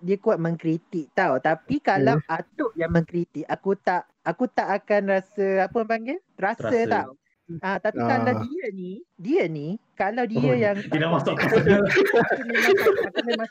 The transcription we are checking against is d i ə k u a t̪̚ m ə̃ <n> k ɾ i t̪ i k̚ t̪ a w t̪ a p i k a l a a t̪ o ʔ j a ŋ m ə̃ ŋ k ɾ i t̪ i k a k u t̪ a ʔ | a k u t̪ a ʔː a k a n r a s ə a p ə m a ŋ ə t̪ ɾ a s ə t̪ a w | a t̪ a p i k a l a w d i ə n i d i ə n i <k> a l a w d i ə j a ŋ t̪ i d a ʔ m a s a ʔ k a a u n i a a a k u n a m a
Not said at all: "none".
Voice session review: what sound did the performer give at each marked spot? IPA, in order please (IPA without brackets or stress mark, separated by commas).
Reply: ŋ, k